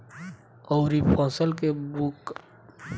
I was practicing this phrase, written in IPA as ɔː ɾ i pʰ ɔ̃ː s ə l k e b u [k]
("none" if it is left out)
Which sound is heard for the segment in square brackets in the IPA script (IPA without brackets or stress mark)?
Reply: k